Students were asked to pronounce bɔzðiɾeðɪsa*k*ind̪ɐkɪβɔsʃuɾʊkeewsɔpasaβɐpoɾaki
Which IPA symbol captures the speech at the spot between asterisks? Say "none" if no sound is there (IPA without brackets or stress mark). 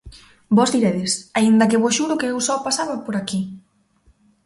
none